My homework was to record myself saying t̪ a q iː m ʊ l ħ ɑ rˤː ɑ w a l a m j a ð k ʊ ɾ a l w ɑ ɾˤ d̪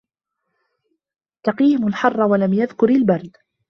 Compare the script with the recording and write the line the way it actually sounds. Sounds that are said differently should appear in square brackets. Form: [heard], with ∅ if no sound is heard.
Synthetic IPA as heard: t̪ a q iː m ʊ l ħ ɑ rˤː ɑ w a l a m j a ð k ʊ ɾ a l [b] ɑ ɾˤ d̪